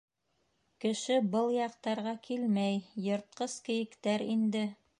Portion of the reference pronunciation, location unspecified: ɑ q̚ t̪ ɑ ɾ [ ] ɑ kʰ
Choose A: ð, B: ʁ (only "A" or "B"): B